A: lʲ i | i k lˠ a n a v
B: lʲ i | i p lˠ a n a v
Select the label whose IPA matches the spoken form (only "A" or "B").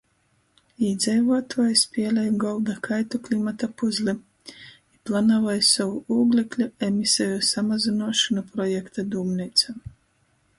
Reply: B